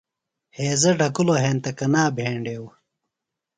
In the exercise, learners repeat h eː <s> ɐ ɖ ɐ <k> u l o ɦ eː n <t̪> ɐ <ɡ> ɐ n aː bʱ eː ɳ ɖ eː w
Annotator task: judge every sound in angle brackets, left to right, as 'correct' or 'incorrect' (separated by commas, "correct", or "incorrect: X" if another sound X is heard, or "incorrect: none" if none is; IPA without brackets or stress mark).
incorrect: z, correct, correct, incorrect: k